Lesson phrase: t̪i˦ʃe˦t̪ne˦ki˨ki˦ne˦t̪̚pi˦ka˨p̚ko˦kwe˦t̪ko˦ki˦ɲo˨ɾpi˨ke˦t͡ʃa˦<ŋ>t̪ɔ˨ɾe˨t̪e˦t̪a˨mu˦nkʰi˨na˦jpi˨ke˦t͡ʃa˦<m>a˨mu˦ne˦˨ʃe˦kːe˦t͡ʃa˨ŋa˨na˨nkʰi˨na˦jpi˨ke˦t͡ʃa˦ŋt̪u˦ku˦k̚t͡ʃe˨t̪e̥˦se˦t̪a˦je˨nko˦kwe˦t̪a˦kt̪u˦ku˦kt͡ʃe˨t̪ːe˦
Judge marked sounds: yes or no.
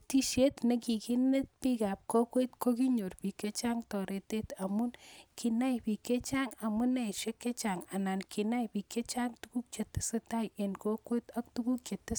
yes, no

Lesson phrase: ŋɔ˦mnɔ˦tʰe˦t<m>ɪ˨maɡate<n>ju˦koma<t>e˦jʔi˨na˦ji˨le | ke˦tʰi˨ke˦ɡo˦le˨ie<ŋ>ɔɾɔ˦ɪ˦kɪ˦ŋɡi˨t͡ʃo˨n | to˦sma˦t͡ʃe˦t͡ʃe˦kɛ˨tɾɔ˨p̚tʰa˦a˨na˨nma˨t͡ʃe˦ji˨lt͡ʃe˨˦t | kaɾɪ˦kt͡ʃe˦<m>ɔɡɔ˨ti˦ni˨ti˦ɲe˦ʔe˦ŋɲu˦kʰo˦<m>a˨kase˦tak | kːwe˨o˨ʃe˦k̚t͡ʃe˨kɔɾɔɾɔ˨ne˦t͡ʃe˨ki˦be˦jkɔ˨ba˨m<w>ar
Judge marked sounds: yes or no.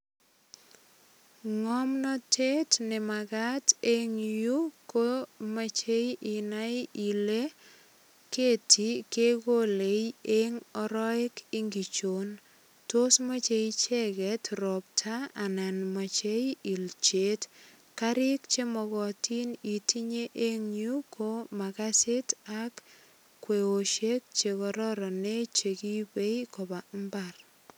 no, no, no, yes, yes, yes, no

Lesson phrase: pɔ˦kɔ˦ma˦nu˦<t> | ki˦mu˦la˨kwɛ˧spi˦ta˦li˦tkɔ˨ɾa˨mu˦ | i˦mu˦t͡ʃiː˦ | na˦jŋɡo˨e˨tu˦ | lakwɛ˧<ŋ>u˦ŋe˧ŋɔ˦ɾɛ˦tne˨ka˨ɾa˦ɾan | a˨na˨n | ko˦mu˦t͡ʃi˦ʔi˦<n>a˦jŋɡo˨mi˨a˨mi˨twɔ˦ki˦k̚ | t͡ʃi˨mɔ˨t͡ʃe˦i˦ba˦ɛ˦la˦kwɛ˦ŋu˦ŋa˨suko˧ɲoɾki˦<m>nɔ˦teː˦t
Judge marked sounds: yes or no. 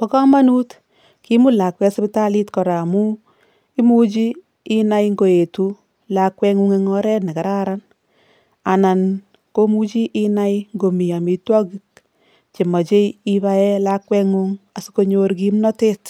yes, yes, yes, yes

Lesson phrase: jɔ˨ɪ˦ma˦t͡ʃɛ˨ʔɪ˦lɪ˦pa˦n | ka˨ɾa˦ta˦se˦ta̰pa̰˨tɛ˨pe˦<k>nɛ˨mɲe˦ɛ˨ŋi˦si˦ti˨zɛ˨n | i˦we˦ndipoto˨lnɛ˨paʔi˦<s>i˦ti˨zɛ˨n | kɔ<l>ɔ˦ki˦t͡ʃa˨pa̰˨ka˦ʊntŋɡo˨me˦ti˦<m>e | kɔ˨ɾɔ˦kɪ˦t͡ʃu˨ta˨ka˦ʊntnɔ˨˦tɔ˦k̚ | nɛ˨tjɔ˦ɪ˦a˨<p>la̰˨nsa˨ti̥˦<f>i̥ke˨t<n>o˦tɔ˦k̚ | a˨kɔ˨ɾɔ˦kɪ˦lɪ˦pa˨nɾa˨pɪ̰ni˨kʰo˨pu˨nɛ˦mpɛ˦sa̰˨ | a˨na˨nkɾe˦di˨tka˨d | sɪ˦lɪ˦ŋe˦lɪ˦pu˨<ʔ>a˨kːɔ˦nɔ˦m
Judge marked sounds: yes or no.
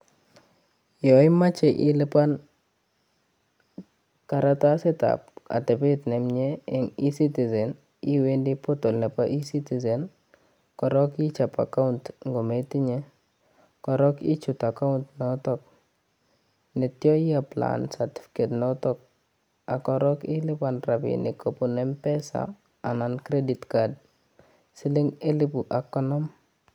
no, yes, no, no, yes, yes, yes, yes

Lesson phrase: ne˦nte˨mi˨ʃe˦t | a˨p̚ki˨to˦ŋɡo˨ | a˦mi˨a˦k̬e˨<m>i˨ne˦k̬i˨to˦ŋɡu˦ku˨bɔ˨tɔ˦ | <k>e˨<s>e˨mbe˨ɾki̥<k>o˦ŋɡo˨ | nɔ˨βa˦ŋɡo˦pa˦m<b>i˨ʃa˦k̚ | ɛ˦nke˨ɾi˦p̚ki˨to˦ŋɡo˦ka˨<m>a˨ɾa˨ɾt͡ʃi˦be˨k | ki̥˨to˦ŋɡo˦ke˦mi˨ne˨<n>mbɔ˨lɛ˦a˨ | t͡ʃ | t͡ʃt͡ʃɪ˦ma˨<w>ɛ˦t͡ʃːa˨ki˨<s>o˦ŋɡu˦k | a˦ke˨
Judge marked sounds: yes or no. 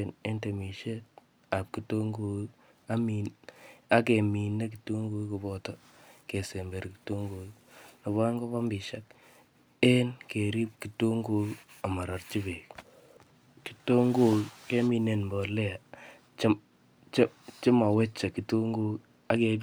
yes, yes, yes, no, yes, yes, yes, yes, no

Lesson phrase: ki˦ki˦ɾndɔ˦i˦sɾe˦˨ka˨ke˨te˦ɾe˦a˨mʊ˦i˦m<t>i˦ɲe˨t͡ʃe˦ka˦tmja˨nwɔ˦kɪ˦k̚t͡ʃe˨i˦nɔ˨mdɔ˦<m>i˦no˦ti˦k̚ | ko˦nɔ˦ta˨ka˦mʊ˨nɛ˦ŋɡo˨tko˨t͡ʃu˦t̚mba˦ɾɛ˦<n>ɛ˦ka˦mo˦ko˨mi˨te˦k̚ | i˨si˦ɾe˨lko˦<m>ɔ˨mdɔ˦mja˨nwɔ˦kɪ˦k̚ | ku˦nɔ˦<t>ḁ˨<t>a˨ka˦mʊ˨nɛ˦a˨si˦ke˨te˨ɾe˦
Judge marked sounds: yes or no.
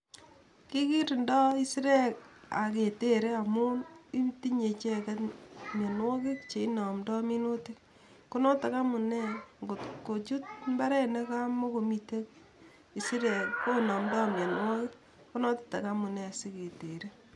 yes, yes, yes, no, yes, yes

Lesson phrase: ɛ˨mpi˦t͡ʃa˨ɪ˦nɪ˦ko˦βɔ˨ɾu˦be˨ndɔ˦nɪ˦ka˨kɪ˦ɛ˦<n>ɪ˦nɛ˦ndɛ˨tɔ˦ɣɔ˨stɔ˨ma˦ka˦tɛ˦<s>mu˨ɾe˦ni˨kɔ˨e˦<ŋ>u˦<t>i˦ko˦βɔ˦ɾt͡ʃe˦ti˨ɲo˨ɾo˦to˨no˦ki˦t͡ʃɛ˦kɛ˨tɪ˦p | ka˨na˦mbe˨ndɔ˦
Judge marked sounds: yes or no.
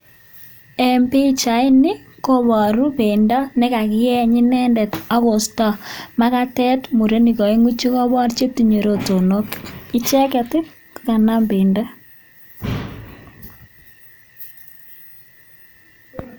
no, no, yes, no

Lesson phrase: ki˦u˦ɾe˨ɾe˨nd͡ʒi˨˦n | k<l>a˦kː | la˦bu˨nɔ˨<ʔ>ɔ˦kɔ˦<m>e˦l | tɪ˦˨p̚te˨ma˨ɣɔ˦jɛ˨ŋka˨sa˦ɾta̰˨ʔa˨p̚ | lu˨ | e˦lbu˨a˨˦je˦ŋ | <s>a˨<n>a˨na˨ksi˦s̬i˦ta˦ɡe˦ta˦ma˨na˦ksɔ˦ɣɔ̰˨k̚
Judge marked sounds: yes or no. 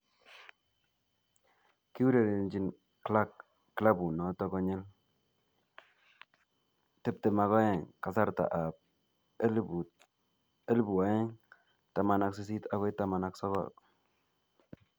yes, no, no, no, no

